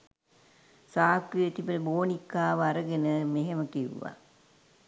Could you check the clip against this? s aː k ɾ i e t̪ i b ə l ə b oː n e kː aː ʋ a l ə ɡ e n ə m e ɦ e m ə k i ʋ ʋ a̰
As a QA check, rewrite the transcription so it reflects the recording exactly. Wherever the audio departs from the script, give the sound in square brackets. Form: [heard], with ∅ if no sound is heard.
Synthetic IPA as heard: s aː k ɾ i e t̪ i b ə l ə b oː n [i] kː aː ʋ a [ɾ] ə ɡ e n ə m e ɦ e m ə k i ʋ ʋ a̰